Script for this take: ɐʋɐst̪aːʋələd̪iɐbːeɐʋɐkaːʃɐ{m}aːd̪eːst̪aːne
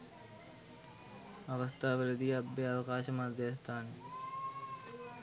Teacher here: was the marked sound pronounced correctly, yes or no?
yes